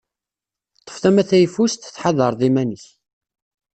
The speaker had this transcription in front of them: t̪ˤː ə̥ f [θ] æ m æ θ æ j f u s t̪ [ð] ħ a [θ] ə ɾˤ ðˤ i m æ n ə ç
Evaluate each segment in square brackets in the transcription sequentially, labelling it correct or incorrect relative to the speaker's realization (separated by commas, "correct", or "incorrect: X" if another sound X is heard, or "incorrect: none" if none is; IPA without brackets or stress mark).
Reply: correct, incorrect: θ, incorrect: ð